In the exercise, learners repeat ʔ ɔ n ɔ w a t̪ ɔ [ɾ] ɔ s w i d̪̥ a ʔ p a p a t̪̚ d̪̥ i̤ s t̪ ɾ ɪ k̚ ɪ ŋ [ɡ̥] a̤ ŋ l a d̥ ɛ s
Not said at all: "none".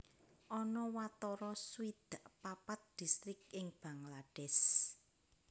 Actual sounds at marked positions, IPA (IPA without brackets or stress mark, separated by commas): ɾ, b̥